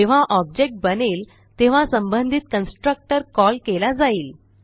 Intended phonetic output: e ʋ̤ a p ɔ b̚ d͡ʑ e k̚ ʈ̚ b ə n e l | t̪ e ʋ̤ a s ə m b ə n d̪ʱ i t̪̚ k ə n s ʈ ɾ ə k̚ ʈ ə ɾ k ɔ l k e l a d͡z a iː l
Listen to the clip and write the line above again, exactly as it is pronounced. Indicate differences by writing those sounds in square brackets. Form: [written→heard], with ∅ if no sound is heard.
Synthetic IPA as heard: e ʋ̤ a [p→ʔ] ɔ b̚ d͡ʑ e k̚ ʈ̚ b ə n e l | t̪ e ʋ̤ a s ə m b ə n d̪ʱ i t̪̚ k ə n s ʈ ɾ ə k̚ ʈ ə ɾ k ɔ l k e l a d͡z a iː l